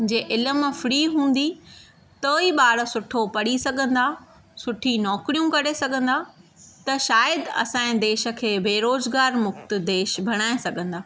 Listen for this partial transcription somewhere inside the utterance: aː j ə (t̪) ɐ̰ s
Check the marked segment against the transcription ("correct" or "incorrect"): incorrect